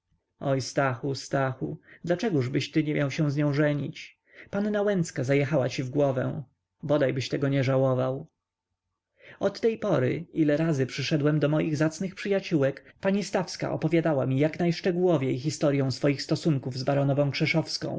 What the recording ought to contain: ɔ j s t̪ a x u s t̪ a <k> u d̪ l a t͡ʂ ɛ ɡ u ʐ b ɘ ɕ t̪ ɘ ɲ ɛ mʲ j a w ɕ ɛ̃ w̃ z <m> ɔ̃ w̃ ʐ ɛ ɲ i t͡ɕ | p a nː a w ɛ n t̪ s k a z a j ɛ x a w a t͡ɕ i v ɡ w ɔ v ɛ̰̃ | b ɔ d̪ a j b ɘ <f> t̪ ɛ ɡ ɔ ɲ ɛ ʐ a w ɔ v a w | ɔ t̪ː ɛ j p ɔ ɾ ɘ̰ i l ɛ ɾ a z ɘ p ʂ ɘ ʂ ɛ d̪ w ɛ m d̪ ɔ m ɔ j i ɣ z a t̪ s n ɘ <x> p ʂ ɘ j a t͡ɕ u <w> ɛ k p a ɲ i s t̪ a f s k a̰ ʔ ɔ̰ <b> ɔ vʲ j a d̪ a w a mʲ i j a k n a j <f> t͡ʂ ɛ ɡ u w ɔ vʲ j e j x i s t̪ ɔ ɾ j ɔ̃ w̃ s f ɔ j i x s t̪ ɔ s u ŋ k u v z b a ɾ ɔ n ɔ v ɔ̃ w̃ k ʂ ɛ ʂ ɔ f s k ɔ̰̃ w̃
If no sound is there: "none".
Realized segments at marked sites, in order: x, ɲ, ɕ, x, w, p, ʂ

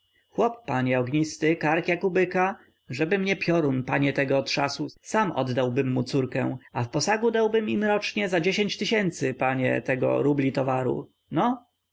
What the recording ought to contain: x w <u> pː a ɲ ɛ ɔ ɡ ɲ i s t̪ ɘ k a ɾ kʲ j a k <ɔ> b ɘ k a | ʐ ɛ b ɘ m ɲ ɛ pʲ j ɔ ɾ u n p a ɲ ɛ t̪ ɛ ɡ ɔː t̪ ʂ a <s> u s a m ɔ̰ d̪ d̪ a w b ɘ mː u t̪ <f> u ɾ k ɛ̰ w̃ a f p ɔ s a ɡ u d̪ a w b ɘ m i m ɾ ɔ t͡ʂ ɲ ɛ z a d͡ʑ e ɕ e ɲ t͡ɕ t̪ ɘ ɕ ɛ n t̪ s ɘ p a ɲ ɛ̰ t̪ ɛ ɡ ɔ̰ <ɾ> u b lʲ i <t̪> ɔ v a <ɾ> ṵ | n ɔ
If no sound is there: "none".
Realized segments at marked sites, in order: ɔ, u, s, s, ɾ, t̪, ɾ

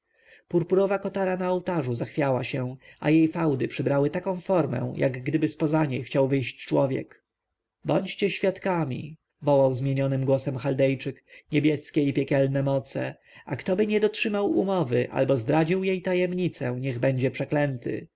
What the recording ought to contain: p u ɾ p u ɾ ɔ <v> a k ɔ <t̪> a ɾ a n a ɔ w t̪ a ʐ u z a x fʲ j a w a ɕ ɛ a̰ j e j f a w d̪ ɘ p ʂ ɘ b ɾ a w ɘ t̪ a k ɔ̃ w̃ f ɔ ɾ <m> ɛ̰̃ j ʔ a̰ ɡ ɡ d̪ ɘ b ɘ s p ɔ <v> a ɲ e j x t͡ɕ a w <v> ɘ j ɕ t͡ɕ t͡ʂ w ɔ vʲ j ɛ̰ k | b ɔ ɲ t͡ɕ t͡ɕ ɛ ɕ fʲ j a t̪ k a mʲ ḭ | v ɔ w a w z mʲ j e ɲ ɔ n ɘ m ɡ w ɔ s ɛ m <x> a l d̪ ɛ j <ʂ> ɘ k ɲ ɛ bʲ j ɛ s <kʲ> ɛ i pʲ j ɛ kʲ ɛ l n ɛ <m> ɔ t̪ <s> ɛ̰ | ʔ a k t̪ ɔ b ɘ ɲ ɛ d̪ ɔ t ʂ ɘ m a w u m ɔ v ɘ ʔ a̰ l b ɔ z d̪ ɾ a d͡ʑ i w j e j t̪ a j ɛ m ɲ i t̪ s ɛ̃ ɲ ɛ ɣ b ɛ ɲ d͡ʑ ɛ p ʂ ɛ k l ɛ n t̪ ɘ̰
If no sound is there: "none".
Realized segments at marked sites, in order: v, t̪, m, z, v, x, t͡ʂ, kʲ, m, s

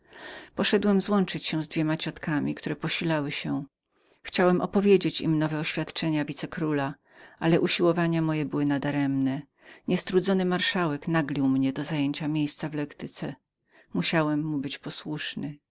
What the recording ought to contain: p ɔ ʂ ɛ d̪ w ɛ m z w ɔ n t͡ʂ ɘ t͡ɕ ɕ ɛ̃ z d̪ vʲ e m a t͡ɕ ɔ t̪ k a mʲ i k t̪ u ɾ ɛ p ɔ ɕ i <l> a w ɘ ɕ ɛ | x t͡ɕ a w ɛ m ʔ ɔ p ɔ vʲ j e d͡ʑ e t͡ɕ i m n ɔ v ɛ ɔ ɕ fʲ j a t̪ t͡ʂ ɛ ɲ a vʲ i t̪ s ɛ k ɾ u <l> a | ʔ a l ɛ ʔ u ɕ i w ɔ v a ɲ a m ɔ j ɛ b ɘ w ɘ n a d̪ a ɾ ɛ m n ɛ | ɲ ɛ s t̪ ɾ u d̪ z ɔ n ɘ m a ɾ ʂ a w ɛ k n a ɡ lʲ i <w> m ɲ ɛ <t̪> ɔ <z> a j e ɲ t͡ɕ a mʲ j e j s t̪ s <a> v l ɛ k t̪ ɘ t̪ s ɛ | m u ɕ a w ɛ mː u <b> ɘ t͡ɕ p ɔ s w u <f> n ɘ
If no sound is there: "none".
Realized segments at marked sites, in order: l, l, w, d̪, z, a, b, ʂ

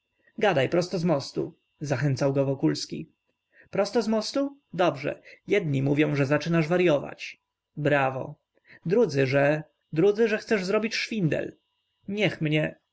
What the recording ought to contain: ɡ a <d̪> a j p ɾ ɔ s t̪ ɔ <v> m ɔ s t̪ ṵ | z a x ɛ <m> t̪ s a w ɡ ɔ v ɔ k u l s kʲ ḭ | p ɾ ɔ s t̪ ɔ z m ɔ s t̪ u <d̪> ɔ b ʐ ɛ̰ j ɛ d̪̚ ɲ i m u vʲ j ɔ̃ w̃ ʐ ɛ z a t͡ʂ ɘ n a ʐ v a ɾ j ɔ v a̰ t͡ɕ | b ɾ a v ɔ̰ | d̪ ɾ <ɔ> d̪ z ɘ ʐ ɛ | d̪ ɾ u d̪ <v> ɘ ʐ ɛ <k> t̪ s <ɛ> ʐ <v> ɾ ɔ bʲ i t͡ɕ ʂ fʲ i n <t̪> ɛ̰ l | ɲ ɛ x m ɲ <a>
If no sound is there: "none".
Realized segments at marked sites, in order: d̪, z, n, d̪, u, z, x, ɛ, z, d̪, ɛ

